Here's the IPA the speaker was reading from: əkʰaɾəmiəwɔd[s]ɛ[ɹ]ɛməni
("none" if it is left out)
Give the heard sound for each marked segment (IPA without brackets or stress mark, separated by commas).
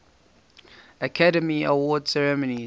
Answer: s, ɹ